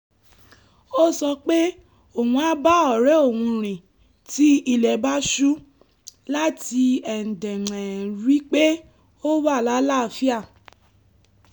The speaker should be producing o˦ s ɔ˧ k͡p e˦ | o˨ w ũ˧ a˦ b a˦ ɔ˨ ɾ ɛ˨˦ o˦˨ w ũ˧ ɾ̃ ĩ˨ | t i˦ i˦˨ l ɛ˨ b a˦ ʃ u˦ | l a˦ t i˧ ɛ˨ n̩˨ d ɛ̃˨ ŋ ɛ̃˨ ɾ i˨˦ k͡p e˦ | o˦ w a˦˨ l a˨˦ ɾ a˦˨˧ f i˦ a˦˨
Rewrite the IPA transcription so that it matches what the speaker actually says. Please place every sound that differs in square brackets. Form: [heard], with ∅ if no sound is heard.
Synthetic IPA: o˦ s ɔ˧ k͡p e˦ | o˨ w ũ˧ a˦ b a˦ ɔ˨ ɾ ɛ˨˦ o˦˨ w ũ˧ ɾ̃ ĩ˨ | t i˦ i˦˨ l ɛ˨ b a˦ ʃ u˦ | l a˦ t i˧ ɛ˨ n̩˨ d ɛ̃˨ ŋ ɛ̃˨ ɾ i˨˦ k͡p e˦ | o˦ w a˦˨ l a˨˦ [l] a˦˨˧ f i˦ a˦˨